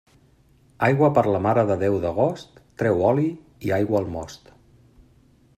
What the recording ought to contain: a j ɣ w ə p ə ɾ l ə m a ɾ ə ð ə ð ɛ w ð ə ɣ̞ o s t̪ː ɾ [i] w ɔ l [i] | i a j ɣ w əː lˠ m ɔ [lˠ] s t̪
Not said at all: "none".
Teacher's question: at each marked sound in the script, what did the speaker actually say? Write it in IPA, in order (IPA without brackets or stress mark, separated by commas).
ɛ, i, none